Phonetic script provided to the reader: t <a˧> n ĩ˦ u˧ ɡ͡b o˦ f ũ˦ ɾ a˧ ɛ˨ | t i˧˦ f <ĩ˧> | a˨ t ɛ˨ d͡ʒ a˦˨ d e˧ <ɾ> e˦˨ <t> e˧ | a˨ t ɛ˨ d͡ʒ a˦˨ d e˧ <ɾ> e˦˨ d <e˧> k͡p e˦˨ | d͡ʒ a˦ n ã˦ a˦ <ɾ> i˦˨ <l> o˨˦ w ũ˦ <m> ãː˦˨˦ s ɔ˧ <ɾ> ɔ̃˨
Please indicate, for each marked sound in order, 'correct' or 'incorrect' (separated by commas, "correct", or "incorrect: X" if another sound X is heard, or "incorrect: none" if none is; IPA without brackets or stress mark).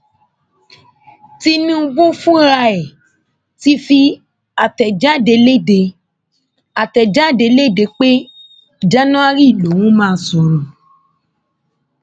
incorrect: i˧, incorrect: i˧, incorrect: l, incorrect: d, incorrect: l, correct, correct, correct, correct, correct